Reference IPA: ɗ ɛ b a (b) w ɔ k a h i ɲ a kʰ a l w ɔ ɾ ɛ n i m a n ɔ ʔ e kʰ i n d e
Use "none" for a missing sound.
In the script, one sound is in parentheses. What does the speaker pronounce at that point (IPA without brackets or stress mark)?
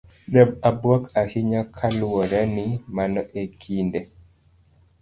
b